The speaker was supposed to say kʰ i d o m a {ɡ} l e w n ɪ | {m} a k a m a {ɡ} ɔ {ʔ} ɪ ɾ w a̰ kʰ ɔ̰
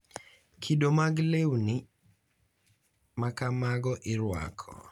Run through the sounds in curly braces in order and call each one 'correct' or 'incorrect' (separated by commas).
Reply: correct, correct, correct, correct